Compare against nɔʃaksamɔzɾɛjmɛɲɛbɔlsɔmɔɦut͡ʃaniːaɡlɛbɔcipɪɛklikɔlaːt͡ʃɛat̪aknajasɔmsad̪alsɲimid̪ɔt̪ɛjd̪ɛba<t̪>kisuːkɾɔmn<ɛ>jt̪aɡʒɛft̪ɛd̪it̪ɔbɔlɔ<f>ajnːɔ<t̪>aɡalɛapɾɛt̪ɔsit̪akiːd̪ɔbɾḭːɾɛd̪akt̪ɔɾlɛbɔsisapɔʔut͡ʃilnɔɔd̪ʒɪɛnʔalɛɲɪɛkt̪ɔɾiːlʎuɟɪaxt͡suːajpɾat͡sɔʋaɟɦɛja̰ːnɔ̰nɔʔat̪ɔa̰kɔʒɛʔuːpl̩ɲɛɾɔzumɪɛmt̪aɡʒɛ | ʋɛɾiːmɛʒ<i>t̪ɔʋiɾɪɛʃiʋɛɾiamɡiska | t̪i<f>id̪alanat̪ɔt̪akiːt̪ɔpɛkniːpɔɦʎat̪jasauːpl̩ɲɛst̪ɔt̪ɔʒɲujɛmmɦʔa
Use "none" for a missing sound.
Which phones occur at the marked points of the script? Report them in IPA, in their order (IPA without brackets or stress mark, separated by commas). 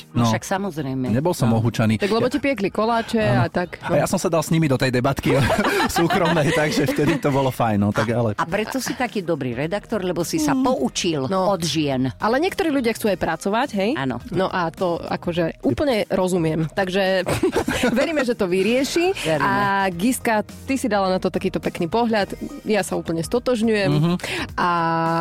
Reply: t̪, ɛ, f, t̪, ɛ, s